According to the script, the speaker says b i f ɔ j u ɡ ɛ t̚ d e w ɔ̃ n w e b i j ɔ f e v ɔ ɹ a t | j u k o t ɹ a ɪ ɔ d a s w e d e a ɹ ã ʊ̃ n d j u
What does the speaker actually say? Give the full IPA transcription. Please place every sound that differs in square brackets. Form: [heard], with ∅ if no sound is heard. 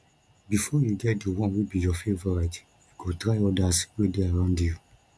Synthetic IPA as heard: b i f ɔ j u ɡ ɛ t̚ d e w ɔ̃ n w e b i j ɔ f e v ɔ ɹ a t | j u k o t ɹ a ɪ ɔ d a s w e d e a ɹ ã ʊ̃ n d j u

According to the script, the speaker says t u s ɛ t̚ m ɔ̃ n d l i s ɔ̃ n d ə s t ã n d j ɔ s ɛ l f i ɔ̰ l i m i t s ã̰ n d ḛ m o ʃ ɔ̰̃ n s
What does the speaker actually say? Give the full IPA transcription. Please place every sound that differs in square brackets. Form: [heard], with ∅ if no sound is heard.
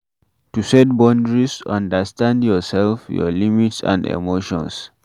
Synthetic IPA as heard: t u s ɛ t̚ [b] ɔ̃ n d [ɹ] i s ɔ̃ n d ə s t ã n d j ɔ s ɛ l f [j] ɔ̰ l i m i t s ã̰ n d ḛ m o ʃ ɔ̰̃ n s

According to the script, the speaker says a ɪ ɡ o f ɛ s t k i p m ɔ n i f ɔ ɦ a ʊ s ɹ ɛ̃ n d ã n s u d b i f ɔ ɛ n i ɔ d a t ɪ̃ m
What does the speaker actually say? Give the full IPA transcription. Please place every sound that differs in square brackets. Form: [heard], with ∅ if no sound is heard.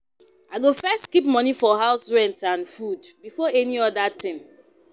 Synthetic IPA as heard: a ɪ ɡ o f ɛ s t k i p m ɔ n i f ɔ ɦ a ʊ s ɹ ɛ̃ n [t] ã n [f] u d b i f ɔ ɛ n i ɔ d a t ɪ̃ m

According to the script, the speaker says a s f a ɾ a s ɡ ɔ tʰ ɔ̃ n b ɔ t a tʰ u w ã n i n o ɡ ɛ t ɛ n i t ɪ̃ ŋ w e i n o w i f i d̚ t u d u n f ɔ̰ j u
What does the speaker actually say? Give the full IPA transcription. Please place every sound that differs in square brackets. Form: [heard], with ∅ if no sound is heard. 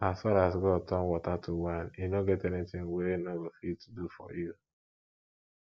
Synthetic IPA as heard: a s f a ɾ a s ɡ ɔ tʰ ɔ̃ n [w] ɔ t a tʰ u w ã n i n o ɡ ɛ t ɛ n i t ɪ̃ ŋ w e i n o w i f i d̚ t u d u [∅] f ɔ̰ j u

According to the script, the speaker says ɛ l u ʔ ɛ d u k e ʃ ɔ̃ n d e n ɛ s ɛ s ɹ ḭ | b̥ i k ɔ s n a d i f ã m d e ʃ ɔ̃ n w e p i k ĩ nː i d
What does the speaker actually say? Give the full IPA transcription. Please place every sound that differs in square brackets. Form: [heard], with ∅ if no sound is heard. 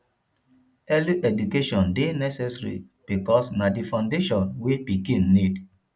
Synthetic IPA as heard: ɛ l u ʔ ɛ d u k e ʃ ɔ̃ n d e n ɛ s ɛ s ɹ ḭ | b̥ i k ɔ s n a d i f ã [n] d e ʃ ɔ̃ n w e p i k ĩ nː i d

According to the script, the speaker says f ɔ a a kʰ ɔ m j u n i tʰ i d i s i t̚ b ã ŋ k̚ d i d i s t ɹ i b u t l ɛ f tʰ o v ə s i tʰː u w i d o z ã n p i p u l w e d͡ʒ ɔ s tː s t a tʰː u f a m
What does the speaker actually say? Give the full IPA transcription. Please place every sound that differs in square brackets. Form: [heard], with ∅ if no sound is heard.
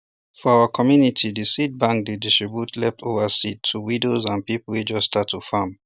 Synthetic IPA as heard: f ɔ a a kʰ ɔ m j u n i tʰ i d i s i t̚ b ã ŋ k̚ d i d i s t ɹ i b u t l ɛ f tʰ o v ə s i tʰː u w i d o z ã n p i p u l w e d͡ʒ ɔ s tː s t a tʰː u f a m

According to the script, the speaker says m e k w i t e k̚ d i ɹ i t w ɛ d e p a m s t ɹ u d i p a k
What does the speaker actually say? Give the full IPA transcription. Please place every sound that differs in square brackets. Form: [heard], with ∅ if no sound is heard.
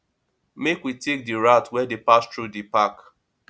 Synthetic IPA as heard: m e k w i t e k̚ d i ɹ [a] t w ɛ d e p a [∅] s t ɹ u d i p a k

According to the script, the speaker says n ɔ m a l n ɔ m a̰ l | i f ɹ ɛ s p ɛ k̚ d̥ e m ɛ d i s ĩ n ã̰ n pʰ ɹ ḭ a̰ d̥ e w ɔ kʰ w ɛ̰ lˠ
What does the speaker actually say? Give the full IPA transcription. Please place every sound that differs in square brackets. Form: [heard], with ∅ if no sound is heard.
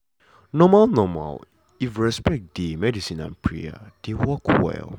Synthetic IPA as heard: n ɔ m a l n ɔ m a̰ l | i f ɹ ɛ s p ɛ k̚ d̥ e m ɛ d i s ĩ n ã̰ n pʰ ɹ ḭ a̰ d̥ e w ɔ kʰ w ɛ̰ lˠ

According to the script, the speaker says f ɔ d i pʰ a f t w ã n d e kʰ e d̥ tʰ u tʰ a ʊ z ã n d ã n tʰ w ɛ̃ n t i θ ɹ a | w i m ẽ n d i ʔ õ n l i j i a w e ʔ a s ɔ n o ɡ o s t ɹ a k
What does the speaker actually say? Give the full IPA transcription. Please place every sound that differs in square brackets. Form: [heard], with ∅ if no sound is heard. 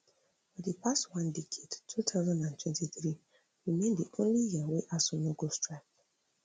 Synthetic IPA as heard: f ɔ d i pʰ a [s] t w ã n d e kʰ e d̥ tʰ u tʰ a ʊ z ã n d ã n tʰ w ɛ̃ n t i θ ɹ [i] | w i m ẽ n d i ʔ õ n l i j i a w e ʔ a s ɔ n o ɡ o s t ɹ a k

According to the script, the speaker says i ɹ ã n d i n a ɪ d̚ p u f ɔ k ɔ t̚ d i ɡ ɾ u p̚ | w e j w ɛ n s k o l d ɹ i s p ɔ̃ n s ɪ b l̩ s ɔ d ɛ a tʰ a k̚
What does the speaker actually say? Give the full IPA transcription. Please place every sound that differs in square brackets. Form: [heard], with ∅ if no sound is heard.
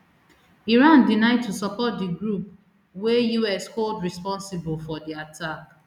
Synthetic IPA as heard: i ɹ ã n d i n a ɪ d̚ [t] u [s] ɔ [p] ɔ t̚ d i ɡ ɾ u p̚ | w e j [u] ɛ [∅] s k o l d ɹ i s p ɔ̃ n s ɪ b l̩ [f] ɔ d [i] a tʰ a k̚

